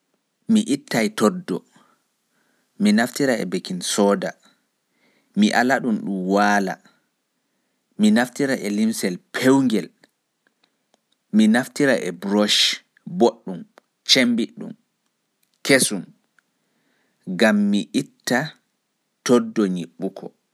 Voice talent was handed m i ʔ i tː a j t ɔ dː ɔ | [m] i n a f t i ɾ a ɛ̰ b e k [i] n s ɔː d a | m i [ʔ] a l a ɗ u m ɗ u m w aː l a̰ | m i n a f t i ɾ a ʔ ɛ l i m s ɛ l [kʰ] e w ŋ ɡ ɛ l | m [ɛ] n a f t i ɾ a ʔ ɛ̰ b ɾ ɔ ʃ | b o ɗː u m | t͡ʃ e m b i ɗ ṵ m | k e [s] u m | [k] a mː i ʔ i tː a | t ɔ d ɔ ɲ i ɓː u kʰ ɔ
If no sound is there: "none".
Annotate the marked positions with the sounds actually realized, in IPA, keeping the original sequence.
m, i, ʔ, pʰ, i, s, ɡ

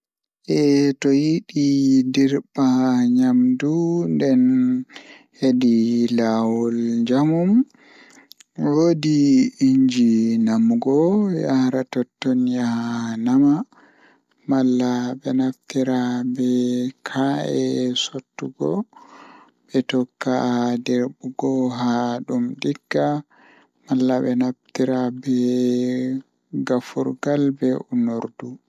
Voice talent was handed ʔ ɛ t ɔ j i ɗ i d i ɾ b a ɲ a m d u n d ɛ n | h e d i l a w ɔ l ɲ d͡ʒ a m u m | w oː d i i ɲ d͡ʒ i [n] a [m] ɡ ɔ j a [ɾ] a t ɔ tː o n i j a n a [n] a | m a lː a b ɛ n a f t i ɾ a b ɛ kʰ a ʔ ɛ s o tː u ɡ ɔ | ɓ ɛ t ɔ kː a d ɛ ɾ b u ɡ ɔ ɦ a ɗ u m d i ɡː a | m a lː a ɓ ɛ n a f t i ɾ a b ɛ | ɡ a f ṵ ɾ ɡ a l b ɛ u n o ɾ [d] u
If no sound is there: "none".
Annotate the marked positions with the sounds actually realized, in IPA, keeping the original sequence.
n, m, ɾ, m, d

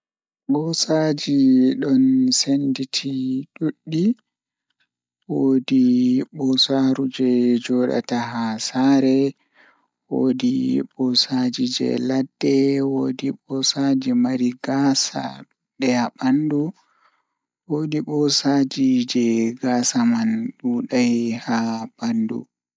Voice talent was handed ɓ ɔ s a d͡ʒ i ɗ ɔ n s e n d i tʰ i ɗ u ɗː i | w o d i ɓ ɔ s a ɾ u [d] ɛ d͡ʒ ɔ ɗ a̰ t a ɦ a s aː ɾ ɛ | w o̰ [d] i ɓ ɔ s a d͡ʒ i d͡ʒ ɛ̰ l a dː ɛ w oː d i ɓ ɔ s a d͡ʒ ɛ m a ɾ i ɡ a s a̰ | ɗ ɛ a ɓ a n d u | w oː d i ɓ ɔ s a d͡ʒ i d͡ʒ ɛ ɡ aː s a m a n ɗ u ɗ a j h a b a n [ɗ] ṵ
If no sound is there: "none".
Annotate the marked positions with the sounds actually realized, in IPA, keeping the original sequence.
d͡ʒ, d, d

